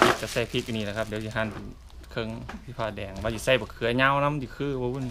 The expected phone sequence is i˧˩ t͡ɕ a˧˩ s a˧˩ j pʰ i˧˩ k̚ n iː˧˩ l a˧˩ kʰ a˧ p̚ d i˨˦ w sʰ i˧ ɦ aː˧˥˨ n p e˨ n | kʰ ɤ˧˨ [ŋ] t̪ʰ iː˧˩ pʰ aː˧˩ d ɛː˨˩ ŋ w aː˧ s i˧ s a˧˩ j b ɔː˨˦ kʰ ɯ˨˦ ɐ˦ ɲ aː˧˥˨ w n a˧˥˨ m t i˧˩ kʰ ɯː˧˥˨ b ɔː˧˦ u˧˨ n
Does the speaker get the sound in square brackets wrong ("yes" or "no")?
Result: no